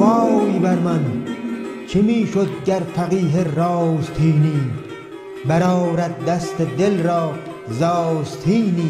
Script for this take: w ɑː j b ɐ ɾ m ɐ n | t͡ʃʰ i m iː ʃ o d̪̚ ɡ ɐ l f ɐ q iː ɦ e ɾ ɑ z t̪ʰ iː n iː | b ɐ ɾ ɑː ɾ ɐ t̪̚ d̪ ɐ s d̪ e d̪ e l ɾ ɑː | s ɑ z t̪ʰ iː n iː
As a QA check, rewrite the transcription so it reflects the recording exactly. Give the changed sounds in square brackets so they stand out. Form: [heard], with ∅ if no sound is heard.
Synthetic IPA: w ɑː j b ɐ ɾ m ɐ n | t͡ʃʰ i m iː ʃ o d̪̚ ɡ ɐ [ɾ] f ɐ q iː ɦ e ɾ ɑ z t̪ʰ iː n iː | b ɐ ɾ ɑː ɾ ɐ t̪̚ d̪ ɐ s [t̪] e d̪ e l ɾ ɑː | [z] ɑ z t̪ʰ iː n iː

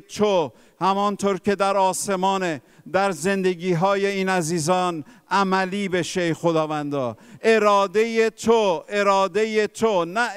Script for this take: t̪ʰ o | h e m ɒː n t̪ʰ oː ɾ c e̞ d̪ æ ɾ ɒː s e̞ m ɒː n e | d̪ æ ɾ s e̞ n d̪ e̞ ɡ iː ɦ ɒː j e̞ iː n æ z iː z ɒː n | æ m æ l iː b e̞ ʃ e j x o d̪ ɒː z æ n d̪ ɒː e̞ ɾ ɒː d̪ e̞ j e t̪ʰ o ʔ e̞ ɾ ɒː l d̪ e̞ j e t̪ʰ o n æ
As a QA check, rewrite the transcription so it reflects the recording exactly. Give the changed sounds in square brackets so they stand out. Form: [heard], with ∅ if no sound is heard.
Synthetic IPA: t̪ʰ o | h [æ] m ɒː n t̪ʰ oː ɾ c e̞ d̪ æ ɾ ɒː s e̞ m ɒː n e | d̪ æ ɾ [z] e̞ n d̪ e̞ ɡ iː ɦ ɒː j e̞ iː n æ z iː z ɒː n | æ m æ l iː b e̞ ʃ e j x o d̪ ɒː [v] æ n d̪ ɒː e̞ ɾ ɒː d̪ e̞ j e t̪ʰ o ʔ e̞ ɾ ɒː [∅] d̪ e̞ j e t̪ʰ o n æ

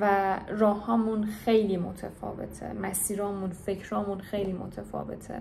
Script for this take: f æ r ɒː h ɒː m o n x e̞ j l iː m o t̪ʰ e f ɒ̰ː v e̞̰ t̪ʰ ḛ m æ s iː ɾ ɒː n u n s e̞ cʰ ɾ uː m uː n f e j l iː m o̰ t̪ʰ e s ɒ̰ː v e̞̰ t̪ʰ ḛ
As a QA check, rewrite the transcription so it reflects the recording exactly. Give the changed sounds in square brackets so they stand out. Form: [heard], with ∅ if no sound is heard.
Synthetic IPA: [v] æ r ɒː h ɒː m [u] n x e̞ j l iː m o t̪ʰ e f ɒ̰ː v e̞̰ t̪ʰ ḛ m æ s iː ɾ ɒː [m] u n [f] e̞ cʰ ɾ [ɒː] m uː n [x] e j l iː m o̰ t̪ʰ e [f] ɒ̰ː v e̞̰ t̪ʰ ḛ

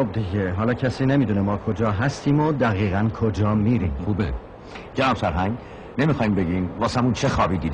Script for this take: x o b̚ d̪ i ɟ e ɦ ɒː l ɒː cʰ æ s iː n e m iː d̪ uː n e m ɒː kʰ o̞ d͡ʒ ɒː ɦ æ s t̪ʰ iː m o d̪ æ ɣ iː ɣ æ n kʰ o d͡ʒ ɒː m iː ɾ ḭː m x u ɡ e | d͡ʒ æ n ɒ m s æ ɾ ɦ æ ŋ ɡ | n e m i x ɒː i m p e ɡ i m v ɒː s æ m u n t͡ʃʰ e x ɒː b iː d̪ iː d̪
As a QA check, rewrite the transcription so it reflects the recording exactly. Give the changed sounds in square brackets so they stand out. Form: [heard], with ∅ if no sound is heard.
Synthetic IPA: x o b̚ d̪ i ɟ e ɦ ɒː l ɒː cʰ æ s iː n e m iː d̪ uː n e m ɒː kʰ o̞ d͡ʒ ɒː ɦ æ s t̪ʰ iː m o d̪ æ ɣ iː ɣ æ n kʰ o d͡ʒ ɒː m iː ɾ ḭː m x u [b] e | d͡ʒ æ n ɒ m s æ ɾ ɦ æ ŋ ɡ | n e m i x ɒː i m [b] e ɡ i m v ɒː s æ m u n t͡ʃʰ e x ɒː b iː d̪ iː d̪

